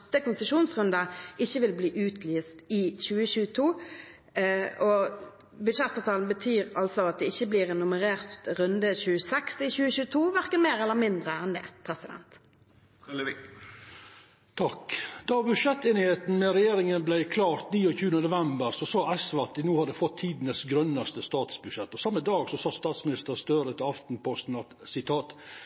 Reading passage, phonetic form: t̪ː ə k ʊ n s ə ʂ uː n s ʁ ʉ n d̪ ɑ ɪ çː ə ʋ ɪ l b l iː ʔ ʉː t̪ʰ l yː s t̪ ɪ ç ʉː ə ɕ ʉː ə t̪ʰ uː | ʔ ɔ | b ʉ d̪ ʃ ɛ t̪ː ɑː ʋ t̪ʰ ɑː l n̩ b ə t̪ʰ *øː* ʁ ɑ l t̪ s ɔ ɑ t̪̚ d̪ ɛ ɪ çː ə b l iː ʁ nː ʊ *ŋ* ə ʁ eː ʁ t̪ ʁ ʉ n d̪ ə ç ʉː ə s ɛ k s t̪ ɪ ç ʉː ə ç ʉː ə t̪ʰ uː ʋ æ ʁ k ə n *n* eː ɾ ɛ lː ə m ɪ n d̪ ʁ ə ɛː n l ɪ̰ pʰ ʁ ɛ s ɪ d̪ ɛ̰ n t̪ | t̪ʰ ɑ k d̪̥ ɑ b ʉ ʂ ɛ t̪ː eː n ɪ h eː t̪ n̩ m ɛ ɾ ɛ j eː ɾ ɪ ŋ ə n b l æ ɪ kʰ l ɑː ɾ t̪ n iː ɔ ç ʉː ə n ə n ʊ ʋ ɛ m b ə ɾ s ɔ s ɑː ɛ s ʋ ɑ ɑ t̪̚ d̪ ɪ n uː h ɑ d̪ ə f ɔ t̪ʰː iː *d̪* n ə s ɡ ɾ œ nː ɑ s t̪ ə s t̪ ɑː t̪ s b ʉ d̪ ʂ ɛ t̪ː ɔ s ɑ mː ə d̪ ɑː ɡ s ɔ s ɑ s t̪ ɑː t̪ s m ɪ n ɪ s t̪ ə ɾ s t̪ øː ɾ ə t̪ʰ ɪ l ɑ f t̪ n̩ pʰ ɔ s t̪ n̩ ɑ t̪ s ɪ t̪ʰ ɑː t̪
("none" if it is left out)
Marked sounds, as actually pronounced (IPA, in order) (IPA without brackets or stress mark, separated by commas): yː, m, m, d̪